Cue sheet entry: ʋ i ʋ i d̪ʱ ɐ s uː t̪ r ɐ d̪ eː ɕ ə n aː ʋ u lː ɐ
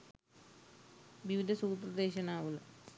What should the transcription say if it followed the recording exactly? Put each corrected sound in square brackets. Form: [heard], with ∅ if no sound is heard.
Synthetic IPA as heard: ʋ i ʋ i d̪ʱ ɐ s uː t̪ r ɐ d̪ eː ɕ [ɐ] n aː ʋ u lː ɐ